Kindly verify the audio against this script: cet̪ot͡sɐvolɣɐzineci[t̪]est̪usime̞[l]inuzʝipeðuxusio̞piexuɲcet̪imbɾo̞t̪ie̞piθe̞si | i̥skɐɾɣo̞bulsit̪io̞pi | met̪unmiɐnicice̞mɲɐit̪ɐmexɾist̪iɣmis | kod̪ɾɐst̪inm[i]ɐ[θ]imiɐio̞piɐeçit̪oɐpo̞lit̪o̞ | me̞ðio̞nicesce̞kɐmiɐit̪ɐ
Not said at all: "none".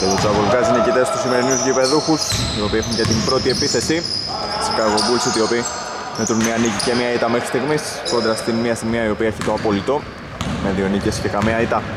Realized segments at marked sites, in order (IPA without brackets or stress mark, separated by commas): t̪, ɾ, i, s